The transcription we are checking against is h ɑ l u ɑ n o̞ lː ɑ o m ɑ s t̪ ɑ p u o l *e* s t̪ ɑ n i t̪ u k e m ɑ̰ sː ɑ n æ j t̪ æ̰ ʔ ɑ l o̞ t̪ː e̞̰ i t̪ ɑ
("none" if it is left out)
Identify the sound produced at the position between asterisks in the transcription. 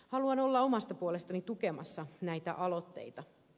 e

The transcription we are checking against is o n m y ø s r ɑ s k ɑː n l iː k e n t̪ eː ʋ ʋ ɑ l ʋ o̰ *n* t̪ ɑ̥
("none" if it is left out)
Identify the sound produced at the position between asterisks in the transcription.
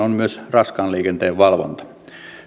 n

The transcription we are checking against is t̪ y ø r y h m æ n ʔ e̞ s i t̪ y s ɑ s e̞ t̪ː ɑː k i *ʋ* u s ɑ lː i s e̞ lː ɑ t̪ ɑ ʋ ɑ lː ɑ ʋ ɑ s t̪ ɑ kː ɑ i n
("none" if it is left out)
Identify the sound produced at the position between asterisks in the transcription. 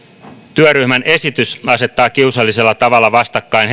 none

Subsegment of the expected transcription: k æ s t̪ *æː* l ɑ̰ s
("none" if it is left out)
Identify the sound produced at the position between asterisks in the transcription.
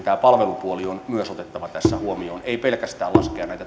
æː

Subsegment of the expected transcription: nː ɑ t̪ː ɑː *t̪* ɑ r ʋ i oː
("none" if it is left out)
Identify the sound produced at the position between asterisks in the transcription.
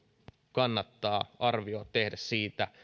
none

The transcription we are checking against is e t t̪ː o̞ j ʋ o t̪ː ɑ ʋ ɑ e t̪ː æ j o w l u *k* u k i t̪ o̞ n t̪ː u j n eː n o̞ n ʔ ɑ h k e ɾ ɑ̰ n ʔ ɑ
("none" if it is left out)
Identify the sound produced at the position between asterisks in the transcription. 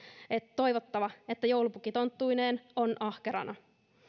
p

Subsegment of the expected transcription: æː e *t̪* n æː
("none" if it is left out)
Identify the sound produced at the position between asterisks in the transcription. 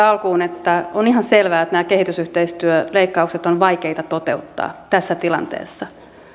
t̪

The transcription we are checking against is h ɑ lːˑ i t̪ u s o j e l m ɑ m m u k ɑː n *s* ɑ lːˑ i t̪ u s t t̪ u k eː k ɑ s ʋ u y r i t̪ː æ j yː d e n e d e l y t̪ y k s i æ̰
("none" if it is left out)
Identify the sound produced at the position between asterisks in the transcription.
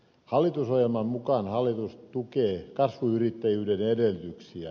h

